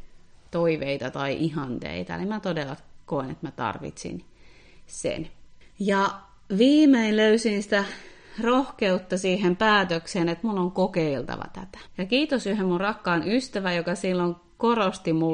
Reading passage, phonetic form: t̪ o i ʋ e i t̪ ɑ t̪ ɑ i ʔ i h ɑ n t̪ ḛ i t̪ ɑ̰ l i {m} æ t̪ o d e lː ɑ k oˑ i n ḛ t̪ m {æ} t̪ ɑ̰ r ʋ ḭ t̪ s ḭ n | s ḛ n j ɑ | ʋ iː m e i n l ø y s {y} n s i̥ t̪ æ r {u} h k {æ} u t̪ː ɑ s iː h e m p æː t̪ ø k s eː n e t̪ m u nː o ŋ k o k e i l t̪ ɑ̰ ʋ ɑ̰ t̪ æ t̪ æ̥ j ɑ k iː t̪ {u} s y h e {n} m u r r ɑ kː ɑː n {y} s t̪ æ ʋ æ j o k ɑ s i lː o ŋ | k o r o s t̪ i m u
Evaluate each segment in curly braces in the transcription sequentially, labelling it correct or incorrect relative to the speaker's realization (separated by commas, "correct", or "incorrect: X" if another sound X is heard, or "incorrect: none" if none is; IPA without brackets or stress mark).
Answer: correct, correct, incorrect: i, incorrect: o, incorrect: e, incorrect: o, incorrect: m, correct